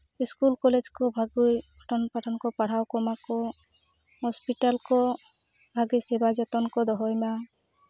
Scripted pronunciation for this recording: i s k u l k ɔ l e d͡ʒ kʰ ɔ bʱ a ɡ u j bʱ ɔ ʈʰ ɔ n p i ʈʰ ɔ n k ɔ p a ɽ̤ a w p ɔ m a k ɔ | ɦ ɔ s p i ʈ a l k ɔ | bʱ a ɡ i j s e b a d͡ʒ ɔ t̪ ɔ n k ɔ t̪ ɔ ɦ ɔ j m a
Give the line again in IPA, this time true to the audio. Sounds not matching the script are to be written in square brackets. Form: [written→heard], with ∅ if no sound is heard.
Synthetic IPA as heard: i s k u l k ɔ l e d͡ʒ [kʰ→k] ɔ bʱ a ɡ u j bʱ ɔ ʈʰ ɔ n p [i→a] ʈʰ ɔ n k ɔ p a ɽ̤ a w [p→k] ɔ m a k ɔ | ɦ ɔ s p i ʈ a l k ɔ | bʱ a ɡ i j s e b a d͡ʒ ɔ t̪ ɔ n k ɔ [t̪→d̪] ɔ ɦ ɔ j m a

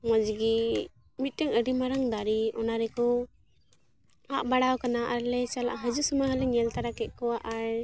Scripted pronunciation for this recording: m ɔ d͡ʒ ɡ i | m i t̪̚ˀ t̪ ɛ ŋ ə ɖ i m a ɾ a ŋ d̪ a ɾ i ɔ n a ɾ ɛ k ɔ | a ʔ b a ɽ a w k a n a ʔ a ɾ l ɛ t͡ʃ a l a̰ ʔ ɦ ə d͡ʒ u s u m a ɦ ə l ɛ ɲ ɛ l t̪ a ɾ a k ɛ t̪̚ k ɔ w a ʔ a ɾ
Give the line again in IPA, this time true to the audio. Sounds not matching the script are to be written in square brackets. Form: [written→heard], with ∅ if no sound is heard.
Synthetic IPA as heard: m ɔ d͡ʒ ɡ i | m i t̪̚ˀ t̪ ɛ ŋ ə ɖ i m a ɾ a ŋ d̪ a ɾ i ɔ n a ɾ ɛ k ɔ | a ʔ b a ɽ a w k a n a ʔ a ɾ l ɛ t͡ʃ a l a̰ ʔ ɦ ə d͡ʒ u s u m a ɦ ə l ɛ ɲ ɛ l t̪ a ɾ a k ɛ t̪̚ k ɔ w a ʔ a ɾ

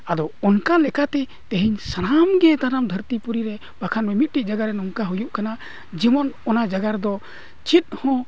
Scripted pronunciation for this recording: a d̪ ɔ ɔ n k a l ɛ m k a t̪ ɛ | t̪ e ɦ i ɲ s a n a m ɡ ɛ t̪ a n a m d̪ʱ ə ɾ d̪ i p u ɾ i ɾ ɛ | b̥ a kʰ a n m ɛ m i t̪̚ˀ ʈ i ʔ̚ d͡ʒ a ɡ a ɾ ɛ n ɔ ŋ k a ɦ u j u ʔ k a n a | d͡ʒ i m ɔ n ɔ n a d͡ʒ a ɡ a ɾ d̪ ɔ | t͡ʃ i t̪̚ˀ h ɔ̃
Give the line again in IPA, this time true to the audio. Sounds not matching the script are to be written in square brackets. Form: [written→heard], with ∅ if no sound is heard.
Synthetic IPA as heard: a d̪ ɔ ɔ n k a l ɛ [m→∅] k a t̪ ɛ | t̪ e ɦ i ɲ s a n a m ɡ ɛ t̪ a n a m d̪ʱ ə ɾ [d̪→t̪] i p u ɾ i ɾ ɛ | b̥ a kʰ a n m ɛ m i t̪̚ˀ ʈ i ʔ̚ d͡ʒ a ɡ a ɾ ɛ n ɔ ŋ k a ɦ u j u ʔ k a n a | d͡ʒ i m ɔ n ɔ n a d͡ʒ a ɡ a ɾ d̪ ɔ | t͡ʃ i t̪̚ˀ h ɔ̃

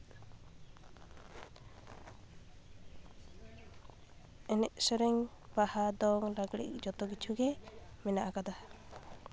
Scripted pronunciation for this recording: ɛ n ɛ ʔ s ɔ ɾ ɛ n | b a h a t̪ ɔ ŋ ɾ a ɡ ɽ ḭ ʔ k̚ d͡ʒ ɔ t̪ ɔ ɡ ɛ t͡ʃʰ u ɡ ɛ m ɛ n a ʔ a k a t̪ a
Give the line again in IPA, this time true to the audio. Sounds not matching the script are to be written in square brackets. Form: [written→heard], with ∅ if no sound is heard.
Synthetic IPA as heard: ɛ n ɛ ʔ s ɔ ɾ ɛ [n→ŋ] | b a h a [t̪→d̪] ɔ ŋ ɾ a ɡ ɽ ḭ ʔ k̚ d͡ʒ ɔ t̪ ɔ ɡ [ɛ→i] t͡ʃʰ u ɡ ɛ m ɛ n a ʔ a k a [t̪→d̪] a

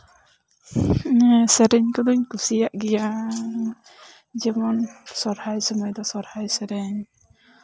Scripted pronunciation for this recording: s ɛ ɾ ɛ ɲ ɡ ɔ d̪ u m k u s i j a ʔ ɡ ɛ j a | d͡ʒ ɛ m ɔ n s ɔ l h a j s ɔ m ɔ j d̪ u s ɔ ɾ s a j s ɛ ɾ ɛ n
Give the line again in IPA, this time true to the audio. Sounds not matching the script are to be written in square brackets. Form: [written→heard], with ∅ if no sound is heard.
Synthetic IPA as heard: s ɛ ɾ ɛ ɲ [ɡ→k] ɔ d̪ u [m→ɲ] k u s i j a ʔ ɡ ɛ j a | d͡ʒ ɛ m ɔ n s ɔ [l→ɾ] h a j s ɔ m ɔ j d̪ [u→ɔ] s ɔ ɾ [s→h] a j s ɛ ɾ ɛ [n→ɲ]

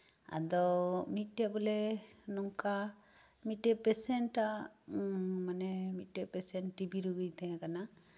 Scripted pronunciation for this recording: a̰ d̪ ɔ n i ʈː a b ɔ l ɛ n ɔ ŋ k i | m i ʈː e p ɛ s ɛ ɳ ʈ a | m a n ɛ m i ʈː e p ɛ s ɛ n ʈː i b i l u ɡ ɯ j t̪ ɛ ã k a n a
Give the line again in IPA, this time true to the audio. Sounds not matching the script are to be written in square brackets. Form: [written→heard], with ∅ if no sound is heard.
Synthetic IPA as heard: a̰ d̪ ɔ [n→m] i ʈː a b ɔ l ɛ n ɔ ŋ k [i→a] | m i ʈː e p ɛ s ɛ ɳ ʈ a | m a n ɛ m i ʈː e p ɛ s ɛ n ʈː i b i [l→ɾ] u ɡ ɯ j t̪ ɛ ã k a n a

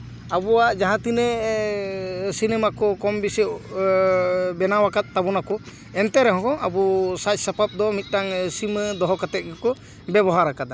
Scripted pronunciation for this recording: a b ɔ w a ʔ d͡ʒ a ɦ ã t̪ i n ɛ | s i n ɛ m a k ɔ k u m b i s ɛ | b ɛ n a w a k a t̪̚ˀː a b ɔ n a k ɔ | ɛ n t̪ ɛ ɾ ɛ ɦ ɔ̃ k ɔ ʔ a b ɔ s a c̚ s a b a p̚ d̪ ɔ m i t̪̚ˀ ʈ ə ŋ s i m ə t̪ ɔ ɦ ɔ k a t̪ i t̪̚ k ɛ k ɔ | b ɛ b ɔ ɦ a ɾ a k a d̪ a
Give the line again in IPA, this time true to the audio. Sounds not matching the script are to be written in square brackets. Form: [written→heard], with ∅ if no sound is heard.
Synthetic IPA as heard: a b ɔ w a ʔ d͡ʒ a ɦ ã t̪ i n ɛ | s i n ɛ m a k ɔ k [u→ɔ] m b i s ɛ | b ɛ n a w a k a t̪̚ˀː a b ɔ n a k ɔ | ɛ n t̪ ɛ ɾ ɛ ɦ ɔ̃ k ɔ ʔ a b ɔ s a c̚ s a [b→p] a p̚ d̪ ɔ m i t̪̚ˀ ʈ [ə→a] ŋ s i m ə [t̪→d̪] ɔ ɦ ɔ k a t̪ [i→ɛ] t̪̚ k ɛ k ɔ | b ɛ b ɔ ɦ a ɾ a k a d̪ a

